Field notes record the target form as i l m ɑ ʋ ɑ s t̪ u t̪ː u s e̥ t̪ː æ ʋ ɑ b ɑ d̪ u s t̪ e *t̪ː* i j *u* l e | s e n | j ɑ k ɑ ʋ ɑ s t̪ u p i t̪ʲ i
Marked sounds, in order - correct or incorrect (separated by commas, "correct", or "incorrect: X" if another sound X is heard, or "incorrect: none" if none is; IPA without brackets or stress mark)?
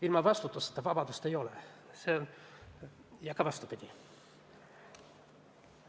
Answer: incorrect: none, incorrect: o